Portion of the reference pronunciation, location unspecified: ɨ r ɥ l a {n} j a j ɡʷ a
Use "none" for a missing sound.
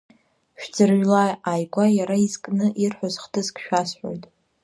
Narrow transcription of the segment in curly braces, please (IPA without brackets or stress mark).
none